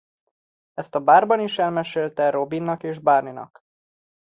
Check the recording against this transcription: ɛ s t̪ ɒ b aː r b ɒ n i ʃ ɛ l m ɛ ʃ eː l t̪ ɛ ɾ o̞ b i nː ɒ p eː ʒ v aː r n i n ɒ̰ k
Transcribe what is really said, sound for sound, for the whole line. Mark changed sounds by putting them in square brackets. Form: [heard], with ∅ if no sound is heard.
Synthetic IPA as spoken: ɛ s t̪ ɒ b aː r b ɒ n i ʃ ɛ l m ɛ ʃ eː l t̪ ɛ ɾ o̞ b i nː ɒ [k] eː ʒ [b] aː r n i n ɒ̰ k